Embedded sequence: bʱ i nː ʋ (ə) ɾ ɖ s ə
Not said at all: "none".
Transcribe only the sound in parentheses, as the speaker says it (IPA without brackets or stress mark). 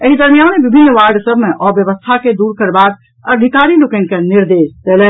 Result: a